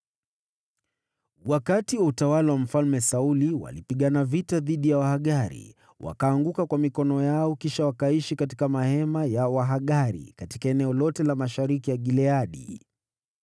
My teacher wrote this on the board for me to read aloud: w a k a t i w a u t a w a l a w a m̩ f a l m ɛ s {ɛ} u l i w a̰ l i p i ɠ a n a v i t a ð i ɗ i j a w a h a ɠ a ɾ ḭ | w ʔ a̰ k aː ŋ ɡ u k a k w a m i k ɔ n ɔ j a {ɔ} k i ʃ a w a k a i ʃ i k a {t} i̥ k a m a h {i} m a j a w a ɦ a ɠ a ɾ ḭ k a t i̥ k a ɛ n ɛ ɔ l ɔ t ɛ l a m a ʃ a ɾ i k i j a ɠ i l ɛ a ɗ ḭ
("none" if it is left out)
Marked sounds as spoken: a, ɔ, t, ɛ

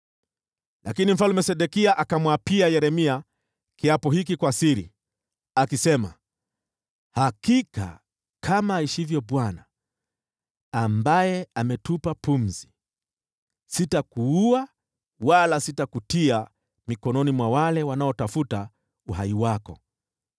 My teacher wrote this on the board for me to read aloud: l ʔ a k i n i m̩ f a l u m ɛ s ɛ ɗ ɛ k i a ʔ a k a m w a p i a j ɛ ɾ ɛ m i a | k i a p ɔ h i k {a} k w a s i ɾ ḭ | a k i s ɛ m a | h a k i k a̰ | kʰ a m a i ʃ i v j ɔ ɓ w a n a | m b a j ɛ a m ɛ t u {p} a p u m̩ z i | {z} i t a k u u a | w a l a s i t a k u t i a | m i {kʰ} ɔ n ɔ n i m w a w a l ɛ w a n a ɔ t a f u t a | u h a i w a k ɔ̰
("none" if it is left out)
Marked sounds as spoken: i, p, s, k

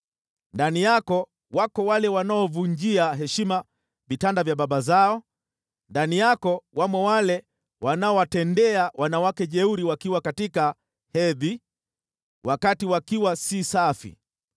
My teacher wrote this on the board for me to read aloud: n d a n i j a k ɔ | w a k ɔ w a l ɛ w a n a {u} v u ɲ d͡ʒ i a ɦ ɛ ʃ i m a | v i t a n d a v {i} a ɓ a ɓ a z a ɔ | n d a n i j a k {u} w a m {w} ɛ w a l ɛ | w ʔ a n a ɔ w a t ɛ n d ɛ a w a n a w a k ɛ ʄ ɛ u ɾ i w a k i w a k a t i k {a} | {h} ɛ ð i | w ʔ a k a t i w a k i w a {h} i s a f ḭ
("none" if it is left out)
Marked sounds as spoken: ɔ, j, ɔ, w, a, h, s

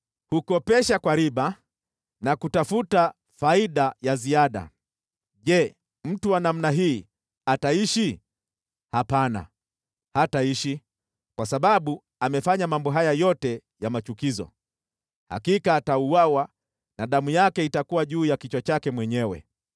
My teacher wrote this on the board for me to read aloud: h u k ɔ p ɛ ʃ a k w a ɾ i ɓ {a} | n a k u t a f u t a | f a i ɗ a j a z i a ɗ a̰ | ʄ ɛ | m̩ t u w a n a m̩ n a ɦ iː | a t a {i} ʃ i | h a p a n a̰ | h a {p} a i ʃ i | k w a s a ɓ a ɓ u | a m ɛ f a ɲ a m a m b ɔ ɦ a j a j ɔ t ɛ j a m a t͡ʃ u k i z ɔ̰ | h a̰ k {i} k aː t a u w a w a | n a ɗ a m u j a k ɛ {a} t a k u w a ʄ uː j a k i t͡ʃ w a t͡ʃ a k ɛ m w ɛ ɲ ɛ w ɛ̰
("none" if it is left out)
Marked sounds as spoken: a, i, t, i, i

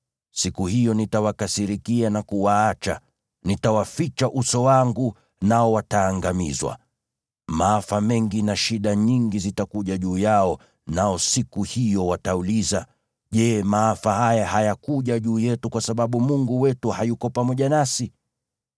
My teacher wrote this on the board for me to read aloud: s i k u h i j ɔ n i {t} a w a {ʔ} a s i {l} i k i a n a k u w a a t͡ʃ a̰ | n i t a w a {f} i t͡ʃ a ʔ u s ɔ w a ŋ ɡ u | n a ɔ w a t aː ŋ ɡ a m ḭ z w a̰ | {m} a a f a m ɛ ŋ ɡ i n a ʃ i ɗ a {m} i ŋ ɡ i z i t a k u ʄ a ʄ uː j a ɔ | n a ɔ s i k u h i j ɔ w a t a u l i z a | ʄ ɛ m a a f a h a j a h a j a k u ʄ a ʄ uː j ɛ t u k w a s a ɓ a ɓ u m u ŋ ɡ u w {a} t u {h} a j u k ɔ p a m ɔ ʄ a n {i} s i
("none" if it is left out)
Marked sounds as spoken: t, k, ɾ, f, m, ɲ, ɛ, h, a

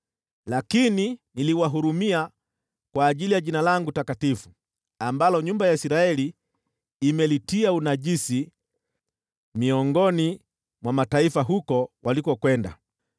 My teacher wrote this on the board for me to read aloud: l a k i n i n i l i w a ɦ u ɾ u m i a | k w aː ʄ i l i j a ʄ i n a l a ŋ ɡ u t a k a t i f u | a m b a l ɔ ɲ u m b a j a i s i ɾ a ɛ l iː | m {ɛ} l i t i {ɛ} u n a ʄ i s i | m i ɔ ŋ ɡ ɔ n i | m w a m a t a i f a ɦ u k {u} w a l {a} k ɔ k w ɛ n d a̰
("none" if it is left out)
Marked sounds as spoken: ɛ, a, ɔ, i

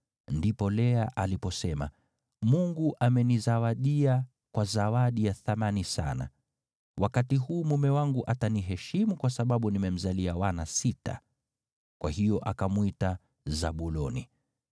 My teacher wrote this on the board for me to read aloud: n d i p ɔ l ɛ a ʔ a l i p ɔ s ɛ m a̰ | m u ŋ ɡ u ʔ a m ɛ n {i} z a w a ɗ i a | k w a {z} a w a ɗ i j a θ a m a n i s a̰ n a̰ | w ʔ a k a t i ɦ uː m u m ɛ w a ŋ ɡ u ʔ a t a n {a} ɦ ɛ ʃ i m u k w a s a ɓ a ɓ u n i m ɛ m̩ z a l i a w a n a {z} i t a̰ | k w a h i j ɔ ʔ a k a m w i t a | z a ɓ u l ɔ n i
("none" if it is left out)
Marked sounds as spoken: i, z, i, s

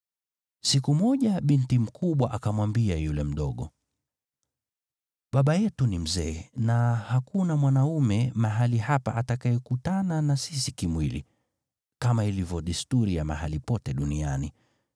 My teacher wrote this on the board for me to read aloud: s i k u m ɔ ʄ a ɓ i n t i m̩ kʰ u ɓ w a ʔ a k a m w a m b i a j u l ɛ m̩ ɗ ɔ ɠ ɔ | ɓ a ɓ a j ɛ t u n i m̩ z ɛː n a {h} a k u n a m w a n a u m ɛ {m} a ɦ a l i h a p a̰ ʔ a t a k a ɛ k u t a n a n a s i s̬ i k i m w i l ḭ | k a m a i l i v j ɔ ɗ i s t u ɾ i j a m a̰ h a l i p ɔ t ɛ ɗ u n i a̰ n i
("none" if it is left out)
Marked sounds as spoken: h, m

